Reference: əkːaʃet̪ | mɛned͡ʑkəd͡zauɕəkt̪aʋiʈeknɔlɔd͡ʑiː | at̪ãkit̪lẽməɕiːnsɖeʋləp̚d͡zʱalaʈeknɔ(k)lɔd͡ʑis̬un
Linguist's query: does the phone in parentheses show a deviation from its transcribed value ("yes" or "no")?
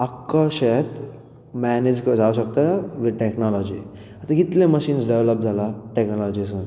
yes